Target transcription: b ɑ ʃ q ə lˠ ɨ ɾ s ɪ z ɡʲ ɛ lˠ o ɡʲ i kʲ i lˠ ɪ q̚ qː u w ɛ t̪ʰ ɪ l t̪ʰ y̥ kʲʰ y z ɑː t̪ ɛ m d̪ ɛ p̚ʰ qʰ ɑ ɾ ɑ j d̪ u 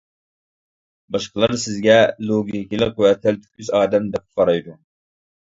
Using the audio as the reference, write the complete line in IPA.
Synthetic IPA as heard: b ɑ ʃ q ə lˠ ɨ ɾ s ɪ z ɡʲ ɛ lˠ o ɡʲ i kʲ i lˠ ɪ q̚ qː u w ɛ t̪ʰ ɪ l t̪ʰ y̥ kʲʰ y z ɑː d̪ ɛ m d̪ ɛ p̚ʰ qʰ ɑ ɾ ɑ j d̪ u